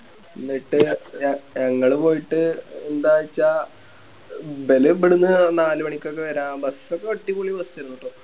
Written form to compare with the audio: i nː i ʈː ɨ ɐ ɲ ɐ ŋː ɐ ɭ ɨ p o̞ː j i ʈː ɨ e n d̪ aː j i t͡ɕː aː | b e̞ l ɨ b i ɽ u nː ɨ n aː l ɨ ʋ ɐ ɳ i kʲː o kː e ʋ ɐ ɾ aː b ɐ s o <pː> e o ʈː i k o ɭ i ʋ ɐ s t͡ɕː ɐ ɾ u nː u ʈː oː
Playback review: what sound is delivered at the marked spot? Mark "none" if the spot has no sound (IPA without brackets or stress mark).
kː